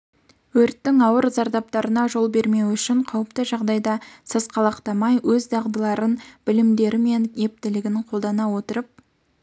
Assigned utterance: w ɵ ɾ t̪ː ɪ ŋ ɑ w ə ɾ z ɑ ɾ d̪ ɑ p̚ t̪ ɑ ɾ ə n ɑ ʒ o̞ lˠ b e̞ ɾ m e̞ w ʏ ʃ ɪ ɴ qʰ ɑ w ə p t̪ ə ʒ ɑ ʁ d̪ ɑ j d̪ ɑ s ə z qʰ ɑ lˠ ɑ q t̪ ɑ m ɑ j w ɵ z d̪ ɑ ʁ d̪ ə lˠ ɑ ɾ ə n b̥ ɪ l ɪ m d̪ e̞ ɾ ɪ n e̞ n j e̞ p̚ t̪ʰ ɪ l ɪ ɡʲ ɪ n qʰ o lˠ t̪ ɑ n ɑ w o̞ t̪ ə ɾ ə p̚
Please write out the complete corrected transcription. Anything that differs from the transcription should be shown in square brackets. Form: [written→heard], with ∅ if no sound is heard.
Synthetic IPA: w ɵ ɾ t̪ː ɪ ŋ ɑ w ə ɾ z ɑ ɾ d̪ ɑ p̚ t̪ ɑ ɾ ə n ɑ ʒ o̞ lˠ b e̞ ɾ m e̞ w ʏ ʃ ɪ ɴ qʰ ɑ w ə p t̪ ə ʒ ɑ ʁ d̪ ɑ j d̪ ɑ s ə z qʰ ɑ lˠ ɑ q t̪ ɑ m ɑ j w ɵ z d̪ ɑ ʁ d̪ ə lˠ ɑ ɾ ə n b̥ ɪ l ɪ m d̪ e̞ ɾ ɪ [n→m] e̞ n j e̞ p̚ [t̪ʰ→t̪] ɪ l ɪ ɡʲ ɪ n qʰ o lˠ [t̪→d̪] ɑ n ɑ w o̞ t̪ ə ɾ ə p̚